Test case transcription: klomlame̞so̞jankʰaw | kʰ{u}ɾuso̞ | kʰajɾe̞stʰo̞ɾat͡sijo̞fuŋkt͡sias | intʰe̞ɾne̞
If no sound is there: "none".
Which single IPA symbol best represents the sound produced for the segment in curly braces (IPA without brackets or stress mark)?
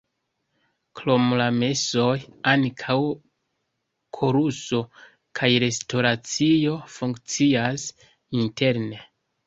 o